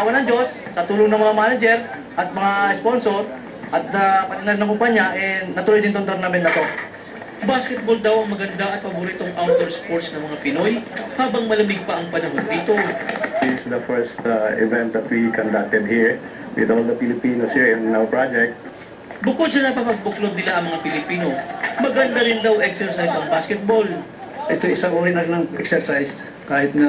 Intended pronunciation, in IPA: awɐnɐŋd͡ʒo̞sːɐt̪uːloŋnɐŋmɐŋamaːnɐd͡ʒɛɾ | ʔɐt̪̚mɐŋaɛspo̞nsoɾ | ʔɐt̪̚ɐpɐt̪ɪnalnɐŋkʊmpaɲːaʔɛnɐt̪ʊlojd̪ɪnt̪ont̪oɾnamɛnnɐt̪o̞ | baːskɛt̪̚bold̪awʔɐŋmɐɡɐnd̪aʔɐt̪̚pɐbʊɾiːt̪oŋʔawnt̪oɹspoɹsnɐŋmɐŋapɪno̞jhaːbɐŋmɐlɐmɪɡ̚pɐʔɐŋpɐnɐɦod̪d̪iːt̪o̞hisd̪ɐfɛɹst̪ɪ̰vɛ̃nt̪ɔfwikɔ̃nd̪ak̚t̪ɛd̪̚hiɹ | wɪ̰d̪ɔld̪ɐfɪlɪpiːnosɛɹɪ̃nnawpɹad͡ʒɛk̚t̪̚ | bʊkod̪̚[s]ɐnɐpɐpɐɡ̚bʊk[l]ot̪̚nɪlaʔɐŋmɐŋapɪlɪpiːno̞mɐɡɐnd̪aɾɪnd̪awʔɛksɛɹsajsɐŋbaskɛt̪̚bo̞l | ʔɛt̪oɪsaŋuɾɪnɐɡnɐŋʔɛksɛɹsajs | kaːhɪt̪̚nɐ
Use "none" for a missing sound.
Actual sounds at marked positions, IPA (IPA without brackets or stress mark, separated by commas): s, l